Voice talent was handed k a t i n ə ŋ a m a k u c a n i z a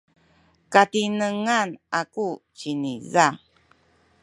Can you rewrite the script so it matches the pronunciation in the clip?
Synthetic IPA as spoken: k a t i n ə ŋ a n a k u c i n i z a